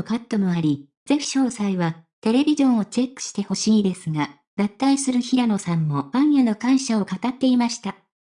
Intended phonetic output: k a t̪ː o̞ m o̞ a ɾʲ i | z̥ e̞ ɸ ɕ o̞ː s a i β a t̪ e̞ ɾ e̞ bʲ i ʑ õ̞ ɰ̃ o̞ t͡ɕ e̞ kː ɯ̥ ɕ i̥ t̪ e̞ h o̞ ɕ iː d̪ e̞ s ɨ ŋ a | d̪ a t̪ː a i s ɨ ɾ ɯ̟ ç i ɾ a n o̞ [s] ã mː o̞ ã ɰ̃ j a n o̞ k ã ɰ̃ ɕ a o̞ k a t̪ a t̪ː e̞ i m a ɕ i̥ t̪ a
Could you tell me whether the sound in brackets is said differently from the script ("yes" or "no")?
no